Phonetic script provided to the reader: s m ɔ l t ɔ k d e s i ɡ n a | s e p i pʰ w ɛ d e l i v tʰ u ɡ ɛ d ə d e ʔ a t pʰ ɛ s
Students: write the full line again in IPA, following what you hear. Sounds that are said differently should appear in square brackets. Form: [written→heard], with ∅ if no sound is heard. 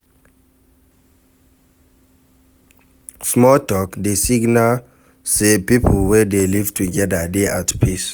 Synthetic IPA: s m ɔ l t ɔ k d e s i ɡ n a | s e p i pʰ w ɛ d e l i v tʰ u ɡ ɛ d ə d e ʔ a t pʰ [ɛ→i] s